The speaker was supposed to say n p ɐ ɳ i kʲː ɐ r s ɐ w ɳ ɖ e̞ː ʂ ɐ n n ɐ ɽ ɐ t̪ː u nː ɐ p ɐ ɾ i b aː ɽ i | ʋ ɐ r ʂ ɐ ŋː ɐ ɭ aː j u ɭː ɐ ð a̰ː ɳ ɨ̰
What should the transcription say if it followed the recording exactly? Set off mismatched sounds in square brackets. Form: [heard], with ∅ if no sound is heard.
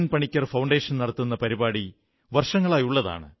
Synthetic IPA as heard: n p ɐ ɳ i kʲː ɐ r [f] ɐ w ɳ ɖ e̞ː ʂ ɐ n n ɐ ɽ ɐ t̪ː u nː ɐ p ɐ ɾ i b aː ɽ i | ʋ ɐ r ʂ ɐ ŋː ɐ ɭ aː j u ɭː ɐ ð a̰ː ɳ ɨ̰